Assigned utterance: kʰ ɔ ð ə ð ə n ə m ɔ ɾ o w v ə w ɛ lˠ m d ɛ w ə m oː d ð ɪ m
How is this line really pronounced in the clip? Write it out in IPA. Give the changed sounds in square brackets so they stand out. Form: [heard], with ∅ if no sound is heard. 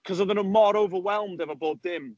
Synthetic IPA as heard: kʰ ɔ [z] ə ð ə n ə m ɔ ɾ o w v ə w ɛ lˠ m d ɛ [v] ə [b] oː d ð ɪ m

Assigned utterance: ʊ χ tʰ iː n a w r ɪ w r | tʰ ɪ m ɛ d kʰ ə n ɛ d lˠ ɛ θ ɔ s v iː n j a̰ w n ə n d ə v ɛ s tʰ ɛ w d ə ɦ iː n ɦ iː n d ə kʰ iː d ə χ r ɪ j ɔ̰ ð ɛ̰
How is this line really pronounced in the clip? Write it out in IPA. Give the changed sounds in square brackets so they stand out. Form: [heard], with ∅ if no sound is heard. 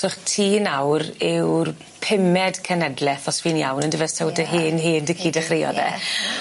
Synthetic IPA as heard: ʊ χ tʰ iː n a w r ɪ w r | [pʰ] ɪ m ɛ d kʰ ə n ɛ d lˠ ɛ θ ɔ s v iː n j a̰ w n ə n d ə v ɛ s tʰ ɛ w d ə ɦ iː n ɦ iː n d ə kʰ iː d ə χ r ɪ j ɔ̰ ð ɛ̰

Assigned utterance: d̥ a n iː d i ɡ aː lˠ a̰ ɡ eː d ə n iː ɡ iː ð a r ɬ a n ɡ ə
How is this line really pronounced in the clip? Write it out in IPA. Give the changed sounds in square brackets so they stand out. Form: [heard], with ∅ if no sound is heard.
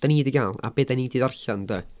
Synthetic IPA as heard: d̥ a n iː d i ɡ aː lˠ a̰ [b] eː d [a] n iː [d] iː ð a r ɬ a n [d] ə

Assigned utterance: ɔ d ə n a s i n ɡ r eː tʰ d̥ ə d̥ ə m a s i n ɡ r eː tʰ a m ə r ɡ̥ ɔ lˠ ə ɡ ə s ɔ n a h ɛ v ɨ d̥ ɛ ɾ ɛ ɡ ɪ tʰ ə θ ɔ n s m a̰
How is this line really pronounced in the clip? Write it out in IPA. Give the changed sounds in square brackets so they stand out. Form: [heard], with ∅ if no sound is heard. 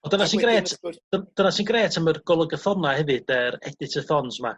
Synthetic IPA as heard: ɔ d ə n a s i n ɡ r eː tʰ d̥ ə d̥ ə [n] a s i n ɡ r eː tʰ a m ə r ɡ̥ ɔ lˠ ə ɡ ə [θ] ɔ n a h ɛ v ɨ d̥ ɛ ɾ ɛ [d] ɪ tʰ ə θ ɔ n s m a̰

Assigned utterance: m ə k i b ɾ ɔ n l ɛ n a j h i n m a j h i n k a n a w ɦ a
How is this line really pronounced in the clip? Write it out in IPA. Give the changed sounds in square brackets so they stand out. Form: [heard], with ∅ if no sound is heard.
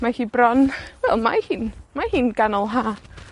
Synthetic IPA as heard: m [a] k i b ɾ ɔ n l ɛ [m] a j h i n m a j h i n k a n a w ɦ a

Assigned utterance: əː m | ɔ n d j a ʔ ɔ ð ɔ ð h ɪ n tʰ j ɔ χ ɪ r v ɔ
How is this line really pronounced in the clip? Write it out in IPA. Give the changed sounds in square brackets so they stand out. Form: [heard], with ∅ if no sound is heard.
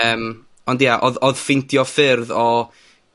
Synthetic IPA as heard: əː m | ɔ n d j a ʔ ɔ ð ɔ ð [f] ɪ n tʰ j ɔ [f] ɪ r [ð] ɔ

